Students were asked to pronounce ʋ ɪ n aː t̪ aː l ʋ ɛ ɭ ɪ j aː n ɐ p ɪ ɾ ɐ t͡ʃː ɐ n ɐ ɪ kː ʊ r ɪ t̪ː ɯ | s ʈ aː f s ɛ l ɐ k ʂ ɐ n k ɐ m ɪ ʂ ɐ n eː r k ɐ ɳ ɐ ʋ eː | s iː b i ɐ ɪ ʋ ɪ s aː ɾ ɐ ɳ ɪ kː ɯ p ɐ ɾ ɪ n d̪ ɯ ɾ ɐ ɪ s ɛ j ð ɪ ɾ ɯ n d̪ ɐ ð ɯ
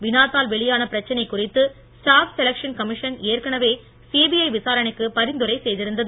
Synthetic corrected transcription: ʋ ɪ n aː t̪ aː l ʋ ɛ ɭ ɪ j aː n ɐ p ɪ ɾ ɐ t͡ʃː ɐ n ɐ ɪ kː ʊ r ɪ t̪ː ɯ | s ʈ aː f s ɛ l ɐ k ʂ ɐ n k ɐ m ɪ ʂ ɐ n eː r k ɐ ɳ ɐ ʋ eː | s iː b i ɐ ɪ ʋ ɪ s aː ɾ ɐ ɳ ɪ kː ɯ p ɐ ɾ ɪ n d̪ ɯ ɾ ɐ ɪ s ɛ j ð ɪ ɾ ɯ n d̪ ɐ ð ɯ